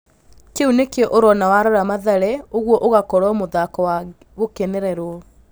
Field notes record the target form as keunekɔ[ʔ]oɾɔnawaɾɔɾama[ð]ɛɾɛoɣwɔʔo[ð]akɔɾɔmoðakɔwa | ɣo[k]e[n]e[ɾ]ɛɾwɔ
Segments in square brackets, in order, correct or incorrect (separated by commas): correct, correct, incorrect, correct, correct, correct